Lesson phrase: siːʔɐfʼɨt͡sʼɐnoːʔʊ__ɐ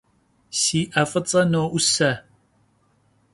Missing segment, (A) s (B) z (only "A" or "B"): A